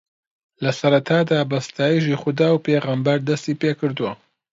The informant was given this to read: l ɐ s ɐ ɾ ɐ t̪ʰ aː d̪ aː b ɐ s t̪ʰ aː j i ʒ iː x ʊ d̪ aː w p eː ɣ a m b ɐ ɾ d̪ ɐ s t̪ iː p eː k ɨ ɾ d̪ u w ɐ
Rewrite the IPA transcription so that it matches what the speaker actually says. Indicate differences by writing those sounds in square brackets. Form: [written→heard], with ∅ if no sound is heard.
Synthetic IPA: l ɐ s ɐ ɾ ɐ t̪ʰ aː d̪ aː b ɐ s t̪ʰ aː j i ʒ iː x ʊ d̪ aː w p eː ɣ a m b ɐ ɾ d̪ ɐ s t̪ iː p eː k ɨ ɾ d̪ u w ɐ